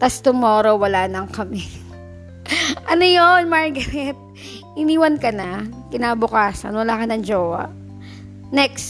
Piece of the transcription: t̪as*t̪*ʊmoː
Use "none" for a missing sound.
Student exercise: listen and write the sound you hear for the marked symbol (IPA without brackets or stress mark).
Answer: t̪